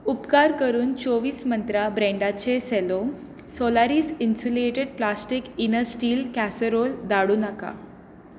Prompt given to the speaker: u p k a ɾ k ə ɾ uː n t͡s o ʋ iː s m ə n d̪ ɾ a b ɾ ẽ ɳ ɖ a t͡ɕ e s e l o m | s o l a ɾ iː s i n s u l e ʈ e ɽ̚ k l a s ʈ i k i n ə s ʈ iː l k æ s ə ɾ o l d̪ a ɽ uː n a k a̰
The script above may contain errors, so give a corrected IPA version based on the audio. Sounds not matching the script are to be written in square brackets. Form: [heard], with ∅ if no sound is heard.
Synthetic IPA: u p k a ɾ k ə ɾ uː n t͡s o ʋ iː s m ə n [t̪] ɾ a b ɾ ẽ ɳ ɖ a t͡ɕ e s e l o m | s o l a ɾ iː s i n s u l e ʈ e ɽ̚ [p] l a s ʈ i k i n ə s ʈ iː l k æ s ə ɾ o l d̪ a ɽ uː n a k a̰